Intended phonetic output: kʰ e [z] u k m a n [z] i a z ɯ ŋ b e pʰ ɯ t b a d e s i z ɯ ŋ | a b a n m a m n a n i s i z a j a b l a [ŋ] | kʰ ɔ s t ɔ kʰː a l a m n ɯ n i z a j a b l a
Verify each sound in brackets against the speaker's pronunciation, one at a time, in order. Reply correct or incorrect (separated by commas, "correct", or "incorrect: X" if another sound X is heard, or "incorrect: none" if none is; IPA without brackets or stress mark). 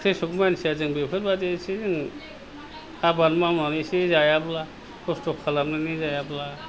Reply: incorrect: s, incorrect: s, incorrect: none